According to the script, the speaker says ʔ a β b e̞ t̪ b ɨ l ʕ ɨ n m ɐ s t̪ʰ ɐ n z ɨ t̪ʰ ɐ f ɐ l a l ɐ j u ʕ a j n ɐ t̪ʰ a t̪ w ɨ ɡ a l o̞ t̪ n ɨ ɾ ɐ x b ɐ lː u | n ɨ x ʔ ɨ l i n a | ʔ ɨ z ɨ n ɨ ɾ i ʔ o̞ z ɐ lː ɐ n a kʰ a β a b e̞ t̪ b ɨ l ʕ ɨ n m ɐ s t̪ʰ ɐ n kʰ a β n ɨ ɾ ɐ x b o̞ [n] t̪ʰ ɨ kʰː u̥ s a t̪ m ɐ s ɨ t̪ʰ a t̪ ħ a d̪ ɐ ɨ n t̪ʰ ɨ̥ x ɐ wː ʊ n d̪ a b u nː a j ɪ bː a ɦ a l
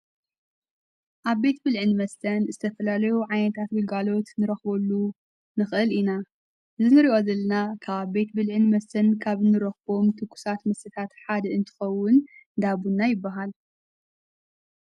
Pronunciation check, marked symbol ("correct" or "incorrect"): incorrect